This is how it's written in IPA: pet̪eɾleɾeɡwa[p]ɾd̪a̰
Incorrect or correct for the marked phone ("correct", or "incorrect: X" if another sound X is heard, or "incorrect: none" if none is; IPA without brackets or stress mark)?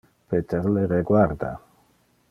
incorrect: none